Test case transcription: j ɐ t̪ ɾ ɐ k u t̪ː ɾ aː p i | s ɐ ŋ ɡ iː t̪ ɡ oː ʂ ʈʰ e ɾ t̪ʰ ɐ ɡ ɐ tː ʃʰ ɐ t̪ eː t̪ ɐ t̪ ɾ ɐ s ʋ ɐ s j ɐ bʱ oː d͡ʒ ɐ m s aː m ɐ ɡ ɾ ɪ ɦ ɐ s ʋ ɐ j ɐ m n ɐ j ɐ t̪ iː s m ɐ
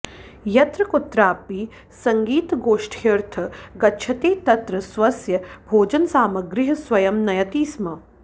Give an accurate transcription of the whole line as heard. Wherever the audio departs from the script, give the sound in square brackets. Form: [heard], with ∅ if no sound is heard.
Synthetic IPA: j ɐ t̪ ɾ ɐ k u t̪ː ɾ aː p i | s ɐ ŋ ɡ iː t̪ ɡ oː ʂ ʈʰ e ɾ t̪ʰ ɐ ɡ ɐ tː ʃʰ ɐ t̪ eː t̪ ɐ t̪ ɾ ɐ s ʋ ɐ s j ɐ bʱ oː d͡ʒ ɐ [n] s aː m ɐ ɡ ɾ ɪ ɦ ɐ s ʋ ɐ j ɐ m n ɐ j ɐ t̪ iː s m ɐ